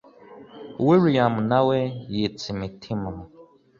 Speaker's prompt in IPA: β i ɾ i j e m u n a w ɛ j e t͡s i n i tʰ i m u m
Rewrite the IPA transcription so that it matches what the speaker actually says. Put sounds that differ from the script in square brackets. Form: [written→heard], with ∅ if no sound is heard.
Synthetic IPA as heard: [β→w] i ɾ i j [e→a] m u n a w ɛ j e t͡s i [n→m] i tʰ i m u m